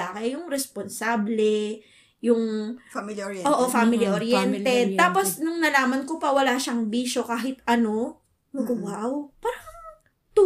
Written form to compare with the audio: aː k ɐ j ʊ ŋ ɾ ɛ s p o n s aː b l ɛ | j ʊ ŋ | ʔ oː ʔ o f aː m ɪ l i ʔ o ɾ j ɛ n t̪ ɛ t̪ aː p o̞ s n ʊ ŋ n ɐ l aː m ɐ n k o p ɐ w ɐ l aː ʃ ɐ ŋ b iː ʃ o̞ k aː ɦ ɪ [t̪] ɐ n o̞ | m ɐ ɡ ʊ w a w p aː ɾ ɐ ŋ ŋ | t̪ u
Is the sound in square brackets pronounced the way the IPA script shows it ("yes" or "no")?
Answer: yes